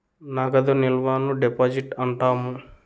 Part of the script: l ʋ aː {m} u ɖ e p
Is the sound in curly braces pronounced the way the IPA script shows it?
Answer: no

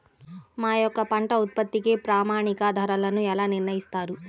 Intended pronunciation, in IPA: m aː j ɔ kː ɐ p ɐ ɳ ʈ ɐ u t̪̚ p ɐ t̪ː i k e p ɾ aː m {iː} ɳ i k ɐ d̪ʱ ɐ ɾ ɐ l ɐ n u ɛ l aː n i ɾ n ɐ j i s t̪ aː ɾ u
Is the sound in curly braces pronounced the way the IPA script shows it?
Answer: no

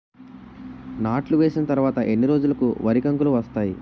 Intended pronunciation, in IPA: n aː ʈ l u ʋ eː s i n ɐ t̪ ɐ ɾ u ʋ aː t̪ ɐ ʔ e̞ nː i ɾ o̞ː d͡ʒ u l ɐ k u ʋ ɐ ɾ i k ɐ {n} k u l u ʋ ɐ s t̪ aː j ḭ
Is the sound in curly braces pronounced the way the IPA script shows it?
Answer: no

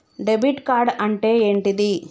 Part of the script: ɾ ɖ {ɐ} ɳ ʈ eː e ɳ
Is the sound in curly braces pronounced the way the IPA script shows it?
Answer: yes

